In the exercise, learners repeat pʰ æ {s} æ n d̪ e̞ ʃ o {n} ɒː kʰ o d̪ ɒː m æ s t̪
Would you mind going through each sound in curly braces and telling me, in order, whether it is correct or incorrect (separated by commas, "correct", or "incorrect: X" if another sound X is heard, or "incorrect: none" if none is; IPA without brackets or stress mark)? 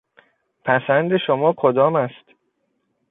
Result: correct, incorrect: m